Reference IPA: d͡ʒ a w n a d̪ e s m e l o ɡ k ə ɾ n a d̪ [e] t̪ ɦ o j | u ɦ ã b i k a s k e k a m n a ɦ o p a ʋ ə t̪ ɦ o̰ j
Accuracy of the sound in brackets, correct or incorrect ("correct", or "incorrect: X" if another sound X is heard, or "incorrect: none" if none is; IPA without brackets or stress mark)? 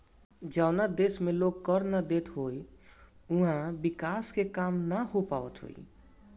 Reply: correct